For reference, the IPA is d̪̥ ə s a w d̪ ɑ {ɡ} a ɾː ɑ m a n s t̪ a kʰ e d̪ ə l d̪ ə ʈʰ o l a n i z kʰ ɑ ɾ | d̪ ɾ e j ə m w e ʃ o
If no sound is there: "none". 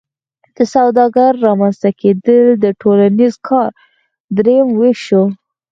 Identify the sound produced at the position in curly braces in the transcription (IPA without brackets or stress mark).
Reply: ɡ